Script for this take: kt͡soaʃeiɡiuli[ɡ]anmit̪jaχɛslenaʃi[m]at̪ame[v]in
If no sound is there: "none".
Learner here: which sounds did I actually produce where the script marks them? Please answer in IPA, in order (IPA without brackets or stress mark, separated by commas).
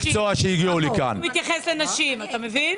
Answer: k, m, v